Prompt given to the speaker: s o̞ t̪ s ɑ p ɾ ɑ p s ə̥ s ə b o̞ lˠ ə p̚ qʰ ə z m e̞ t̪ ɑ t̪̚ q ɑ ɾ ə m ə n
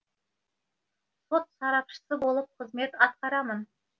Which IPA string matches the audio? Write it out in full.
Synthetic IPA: s o̞ t̪ s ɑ ɾ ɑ p ʃ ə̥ s ə b o̞ lˠ ə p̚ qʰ ə z m e̞ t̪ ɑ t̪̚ q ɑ ɾ ɑ m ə n